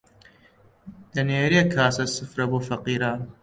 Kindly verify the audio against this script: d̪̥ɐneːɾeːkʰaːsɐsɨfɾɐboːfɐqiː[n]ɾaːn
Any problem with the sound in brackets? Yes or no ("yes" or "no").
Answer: yes